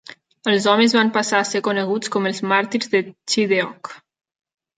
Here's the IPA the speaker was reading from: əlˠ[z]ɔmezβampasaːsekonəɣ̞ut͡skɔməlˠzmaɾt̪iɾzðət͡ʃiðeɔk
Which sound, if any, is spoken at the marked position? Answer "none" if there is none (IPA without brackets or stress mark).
z